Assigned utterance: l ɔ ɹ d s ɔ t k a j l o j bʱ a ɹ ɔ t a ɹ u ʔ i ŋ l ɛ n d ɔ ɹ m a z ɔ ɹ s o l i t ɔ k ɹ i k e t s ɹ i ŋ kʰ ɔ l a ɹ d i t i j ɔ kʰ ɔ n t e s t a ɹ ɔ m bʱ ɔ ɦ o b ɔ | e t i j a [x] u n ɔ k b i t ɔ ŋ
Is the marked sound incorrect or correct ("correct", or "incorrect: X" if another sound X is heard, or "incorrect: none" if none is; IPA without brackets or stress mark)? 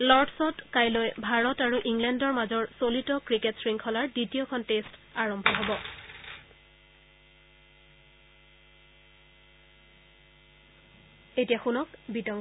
correct